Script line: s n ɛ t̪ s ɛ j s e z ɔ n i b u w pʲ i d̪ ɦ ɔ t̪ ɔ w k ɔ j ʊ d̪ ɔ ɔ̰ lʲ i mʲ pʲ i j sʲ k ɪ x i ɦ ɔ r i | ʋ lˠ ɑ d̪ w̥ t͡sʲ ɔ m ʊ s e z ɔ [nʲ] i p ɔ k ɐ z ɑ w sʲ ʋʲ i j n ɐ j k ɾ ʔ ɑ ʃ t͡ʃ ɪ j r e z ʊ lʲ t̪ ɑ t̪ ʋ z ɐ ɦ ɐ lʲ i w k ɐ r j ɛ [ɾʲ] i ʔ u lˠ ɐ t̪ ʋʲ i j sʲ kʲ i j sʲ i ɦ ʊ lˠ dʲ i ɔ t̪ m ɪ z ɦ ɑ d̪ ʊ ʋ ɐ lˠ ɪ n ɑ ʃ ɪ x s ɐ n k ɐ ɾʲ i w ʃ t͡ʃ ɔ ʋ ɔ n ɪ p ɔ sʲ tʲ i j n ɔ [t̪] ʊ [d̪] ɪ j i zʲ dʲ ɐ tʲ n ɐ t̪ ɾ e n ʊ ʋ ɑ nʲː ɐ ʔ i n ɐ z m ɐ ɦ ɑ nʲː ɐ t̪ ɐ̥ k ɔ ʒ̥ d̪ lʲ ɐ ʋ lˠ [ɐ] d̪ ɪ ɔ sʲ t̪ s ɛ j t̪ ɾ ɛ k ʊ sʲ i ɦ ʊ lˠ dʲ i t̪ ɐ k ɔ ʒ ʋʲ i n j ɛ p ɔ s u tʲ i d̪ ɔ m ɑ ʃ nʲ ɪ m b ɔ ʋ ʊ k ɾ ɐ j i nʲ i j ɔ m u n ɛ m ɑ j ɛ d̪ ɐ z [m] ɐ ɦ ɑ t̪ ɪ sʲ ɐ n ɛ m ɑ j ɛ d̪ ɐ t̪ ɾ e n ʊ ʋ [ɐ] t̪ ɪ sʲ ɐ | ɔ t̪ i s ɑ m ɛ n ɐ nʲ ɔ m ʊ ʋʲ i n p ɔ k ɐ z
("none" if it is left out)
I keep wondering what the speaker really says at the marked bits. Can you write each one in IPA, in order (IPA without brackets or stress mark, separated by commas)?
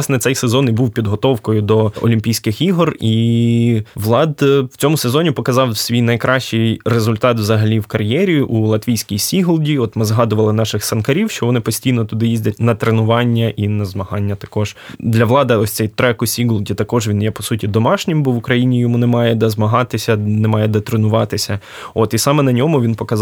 nʲ, ɾʲ, t̪, d̪, ɑ, m, ɑ